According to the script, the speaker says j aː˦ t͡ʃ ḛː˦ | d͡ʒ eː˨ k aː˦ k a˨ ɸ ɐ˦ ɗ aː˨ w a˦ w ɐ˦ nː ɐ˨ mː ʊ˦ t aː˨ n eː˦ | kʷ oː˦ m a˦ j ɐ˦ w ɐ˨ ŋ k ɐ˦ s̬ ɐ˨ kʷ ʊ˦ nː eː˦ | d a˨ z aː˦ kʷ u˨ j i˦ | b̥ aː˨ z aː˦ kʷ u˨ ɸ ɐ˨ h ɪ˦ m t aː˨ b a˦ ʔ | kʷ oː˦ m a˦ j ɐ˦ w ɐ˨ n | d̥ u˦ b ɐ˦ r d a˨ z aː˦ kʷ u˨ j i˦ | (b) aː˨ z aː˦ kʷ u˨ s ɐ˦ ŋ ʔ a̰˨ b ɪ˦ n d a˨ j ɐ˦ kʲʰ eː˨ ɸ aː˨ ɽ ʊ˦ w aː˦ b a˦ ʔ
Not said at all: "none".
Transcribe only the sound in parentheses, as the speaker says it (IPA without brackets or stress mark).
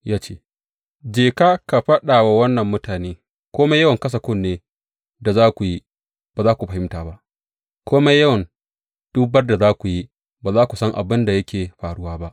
b